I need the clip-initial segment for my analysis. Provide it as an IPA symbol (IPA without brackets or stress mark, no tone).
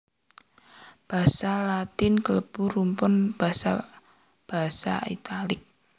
b̥